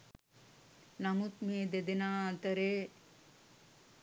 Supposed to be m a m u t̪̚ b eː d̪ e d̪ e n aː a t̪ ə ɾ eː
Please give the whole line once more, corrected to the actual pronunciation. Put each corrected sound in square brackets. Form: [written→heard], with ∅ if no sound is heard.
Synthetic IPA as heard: [m→n] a m u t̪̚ [b→m] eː d̪ e d̪ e n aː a t̪ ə ɾ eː